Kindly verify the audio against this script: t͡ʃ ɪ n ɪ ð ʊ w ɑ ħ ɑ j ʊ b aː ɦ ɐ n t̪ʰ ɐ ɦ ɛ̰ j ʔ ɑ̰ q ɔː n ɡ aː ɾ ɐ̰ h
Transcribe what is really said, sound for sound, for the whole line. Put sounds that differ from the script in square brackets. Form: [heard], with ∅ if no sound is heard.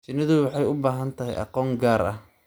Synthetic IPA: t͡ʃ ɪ n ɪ ð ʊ w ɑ ħ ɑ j ʊ b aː ɦ ɐ n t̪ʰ ɐ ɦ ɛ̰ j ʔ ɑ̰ q ɔː [ŋ] ɡ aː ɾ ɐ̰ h